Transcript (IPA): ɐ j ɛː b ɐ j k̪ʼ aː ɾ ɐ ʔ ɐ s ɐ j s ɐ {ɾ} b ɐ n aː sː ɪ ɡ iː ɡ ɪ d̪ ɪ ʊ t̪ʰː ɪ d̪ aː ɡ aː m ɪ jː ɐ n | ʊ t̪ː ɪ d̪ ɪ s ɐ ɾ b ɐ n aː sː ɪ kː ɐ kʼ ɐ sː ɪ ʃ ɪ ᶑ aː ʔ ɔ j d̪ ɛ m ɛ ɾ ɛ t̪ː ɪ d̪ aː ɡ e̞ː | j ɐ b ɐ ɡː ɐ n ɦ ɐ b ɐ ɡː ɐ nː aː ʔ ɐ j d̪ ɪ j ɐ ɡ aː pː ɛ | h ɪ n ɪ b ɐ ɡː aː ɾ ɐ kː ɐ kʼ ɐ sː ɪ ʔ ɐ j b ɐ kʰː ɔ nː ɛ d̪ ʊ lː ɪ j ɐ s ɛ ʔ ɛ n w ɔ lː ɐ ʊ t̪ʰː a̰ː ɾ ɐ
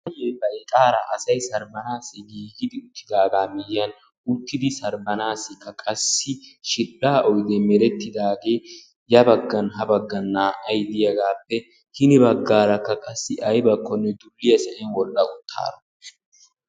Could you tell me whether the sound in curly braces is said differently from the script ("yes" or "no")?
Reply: no